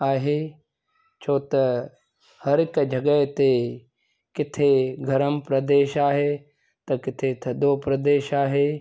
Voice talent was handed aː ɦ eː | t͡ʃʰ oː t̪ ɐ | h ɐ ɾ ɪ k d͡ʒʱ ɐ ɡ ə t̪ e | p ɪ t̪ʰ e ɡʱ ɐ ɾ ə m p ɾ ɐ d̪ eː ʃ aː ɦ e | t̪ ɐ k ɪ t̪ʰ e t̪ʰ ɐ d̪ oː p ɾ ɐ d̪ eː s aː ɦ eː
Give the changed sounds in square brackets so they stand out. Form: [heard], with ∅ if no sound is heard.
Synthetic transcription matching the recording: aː ɦ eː | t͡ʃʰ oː t̪ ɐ | h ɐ ɾ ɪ k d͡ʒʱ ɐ ɡ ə t̪ e | [k] ɪ t̪ʰ e ɡʱ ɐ ɾ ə m p ɾ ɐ d̪ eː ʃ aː ɦ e | t̪ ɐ k ɪ t̪ʰ e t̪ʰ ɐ d̪ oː p ɾ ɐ d̪ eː [ʃ] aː ɦ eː